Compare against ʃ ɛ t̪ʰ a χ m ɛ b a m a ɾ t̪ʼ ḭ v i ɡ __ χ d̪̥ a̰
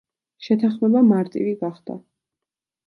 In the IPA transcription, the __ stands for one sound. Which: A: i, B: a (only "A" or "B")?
B